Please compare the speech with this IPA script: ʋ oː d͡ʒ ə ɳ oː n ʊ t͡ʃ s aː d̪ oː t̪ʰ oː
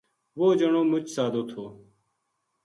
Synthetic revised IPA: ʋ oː d͡ʒ ə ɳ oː m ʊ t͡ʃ s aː d̪ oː t̪ʰ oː